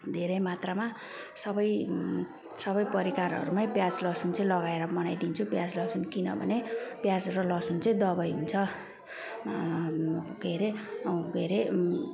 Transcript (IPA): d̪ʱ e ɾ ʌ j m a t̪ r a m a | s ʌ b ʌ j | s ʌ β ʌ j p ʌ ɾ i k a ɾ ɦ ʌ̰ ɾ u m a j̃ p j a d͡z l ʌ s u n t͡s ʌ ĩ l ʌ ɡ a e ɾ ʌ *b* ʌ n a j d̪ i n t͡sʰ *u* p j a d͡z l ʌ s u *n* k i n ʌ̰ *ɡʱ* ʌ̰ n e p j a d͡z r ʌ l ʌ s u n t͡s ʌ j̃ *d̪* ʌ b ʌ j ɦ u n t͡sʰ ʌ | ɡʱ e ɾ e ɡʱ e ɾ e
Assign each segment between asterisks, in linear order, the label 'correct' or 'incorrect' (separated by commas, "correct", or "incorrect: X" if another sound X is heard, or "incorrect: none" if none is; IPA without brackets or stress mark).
incorrect: m, correct, correct, incorrect: bʱ, correct